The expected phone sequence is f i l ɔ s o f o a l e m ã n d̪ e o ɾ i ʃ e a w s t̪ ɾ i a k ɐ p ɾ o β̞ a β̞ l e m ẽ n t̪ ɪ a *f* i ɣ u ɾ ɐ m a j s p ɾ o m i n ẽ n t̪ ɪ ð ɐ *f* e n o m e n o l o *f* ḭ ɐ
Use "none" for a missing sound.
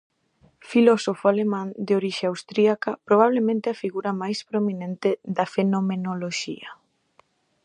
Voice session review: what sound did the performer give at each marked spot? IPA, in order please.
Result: f, f, ʃ

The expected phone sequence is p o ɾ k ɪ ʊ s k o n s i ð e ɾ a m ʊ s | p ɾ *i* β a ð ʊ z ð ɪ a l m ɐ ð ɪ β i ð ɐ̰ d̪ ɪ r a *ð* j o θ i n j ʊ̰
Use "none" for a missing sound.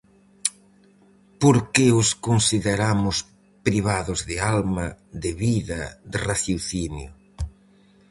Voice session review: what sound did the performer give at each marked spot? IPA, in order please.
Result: i, θ

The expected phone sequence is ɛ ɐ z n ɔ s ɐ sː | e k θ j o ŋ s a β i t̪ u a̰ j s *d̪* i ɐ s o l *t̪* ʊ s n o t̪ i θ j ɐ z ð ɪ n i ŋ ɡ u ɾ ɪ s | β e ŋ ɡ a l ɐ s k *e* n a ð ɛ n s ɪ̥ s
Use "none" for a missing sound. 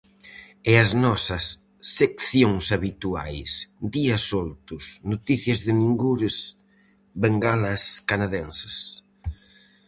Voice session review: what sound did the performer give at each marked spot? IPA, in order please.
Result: d̪, t̪, a

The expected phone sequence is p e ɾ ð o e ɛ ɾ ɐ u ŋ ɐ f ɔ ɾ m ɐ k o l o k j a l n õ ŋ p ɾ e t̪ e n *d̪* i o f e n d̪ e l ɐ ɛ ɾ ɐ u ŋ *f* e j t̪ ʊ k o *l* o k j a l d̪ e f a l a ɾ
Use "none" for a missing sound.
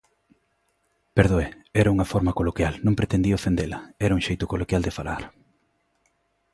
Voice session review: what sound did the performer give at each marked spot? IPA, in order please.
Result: d̪, ʃ, l

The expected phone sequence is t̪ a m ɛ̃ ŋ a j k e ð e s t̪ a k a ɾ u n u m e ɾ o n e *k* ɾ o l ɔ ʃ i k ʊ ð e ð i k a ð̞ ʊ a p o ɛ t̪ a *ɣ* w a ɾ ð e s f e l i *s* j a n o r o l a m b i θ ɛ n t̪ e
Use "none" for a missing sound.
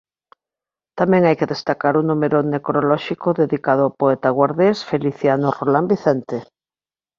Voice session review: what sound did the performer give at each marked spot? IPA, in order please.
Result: k, ɣ, θ

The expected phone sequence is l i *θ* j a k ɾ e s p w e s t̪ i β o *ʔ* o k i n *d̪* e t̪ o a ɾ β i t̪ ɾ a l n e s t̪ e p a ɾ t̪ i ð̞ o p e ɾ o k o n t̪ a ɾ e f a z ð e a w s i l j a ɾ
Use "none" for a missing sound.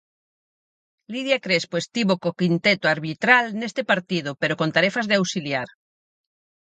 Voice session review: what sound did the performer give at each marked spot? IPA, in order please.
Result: ð, k, t̪

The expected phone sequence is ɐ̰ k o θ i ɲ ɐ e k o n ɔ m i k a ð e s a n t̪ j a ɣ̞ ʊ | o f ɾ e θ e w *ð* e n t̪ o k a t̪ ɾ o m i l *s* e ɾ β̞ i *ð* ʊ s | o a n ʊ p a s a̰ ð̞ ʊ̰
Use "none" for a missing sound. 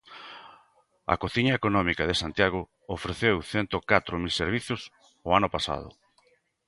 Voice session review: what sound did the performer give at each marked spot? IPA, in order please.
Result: θ, s, θ

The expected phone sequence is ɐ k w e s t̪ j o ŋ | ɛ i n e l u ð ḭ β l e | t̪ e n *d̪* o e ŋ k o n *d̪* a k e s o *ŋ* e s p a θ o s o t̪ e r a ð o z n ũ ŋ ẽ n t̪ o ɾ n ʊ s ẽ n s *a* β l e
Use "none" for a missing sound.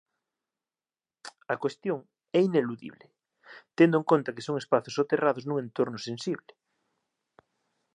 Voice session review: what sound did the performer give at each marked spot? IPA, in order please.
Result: d̪, t̪, ŋ, i

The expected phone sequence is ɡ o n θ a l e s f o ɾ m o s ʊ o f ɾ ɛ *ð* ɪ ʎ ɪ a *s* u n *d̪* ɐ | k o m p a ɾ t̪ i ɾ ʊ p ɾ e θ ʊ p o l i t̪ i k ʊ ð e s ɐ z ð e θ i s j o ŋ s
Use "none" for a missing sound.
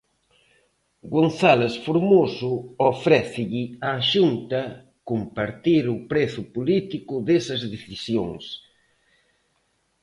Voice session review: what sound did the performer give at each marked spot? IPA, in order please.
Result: θ, ʃ, t̪

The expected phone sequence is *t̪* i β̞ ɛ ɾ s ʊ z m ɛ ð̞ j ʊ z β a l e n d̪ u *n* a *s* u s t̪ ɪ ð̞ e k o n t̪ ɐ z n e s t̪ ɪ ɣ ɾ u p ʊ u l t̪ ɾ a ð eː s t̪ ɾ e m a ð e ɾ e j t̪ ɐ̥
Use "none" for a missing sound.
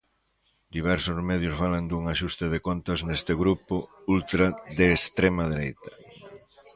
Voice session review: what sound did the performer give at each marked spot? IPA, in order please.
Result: d̪, ŋ, ʃ

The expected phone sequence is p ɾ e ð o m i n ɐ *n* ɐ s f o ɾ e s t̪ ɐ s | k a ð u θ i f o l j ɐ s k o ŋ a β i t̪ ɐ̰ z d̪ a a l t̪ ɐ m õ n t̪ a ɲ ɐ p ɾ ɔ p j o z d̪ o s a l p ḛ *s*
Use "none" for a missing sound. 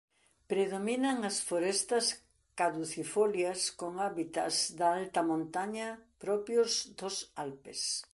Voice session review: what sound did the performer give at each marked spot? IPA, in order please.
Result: ŋ, s

